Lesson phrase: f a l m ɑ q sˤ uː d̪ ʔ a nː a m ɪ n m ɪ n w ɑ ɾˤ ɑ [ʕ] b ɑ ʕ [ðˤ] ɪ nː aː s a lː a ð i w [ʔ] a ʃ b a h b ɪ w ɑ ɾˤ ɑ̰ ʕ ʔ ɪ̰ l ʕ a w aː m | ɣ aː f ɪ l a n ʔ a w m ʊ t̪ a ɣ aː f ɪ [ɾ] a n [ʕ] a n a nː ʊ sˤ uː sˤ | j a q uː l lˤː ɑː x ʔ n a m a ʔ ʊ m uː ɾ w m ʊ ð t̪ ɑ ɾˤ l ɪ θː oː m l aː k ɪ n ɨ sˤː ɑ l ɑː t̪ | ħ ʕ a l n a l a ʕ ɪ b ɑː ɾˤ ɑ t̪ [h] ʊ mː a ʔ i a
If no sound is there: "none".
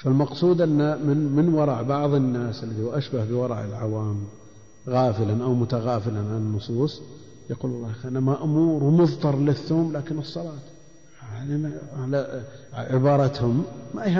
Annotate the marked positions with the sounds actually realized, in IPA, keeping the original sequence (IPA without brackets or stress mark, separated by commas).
ʕ, ðˤ, ʔ, l, ʕ, h